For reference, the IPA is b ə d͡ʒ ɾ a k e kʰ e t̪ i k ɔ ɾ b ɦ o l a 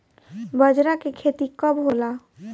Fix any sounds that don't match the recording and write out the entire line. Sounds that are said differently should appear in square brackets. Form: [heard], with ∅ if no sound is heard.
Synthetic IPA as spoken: b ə d͡ʒ ɾ a k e kʰ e t̪ i k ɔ [∅] b ɦ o l a